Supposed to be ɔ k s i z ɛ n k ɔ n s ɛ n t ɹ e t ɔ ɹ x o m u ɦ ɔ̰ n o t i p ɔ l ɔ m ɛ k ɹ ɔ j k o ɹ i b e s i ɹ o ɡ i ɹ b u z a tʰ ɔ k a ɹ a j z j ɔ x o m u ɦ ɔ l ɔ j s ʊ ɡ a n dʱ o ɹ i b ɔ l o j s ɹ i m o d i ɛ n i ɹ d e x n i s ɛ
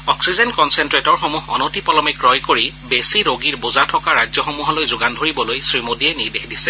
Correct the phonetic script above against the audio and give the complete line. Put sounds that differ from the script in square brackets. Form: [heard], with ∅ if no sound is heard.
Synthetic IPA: ɔ k s i z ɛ n k ɔ n s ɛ n t ɹ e t ɔ ɹ x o m u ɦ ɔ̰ n o t i p ɔ l ɔ m ɛ k ɹ ɔ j k o ɹ i b e s i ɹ o ɡ i ɹ b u z a tʰ ɔ k a ɹ a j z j ɔ x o m u ɦ ɔ l [o] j [z] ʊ ɡ a n dʱ o ɹ i b ɔ l o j s ɹ i m o d i ɛ n i ɹ d e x [d] i s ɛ